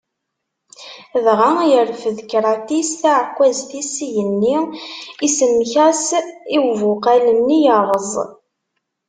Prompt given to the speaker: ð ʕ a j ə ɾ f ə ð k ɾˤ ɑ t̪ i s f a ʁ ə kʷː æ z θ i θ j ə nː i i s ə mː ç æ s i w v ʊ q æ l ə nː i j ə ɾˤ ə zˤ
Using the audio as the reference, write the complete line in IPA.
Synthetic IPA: ð ʁ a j ə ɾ f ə ð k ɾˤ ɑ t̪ i s θ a ʕ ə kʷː æ z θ i s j ə nː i i s ə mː ç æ s i w v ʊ q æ l ə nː i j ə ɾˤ ə zˤ